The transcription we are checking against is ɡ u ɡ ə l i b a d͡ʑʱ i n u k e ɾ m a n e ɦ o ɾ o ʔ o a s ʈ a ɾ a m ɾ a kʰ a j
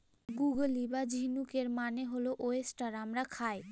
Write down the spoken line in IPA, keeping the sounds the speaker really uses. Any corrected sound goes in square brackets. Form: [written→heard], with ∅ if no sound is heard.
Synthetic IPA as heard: ɡ u ɡ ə l i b a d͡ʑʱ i n u k e ɾ m a n e ɦ o [ɾ→l] o ʔ o [a→e] s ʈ a ɾ a m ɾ a kʰ a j